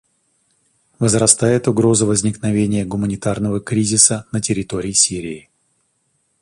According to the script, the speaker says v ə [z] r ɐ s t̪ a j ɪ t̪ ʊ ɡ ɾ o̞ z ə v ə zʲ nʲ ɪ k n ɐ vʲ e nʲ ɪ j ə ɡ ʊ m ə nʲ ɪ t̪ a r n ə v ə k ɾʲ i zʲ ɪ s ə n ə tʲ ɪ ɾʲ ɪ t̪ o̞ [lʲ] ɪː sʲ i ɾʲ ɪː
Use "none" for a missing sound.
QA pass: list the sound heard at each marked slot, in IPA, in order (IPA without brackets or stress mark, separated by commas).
z, ɾʲ